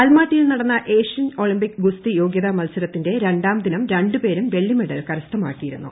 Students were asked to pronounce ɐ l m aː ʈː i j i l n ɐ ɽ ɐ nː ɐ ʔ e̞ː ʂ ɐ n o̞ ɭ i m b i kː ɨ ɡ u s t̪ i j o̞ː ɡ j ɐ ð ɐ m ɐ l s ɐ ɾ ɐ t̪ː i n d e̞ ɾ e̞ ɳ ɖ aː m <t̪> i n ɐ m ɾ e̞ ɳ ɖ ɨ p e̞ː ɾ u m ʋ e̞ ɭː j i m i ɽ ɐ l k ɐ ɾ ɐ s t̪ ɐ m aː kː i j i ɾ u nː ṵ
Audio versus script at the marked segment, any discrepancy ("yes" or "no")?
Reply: yes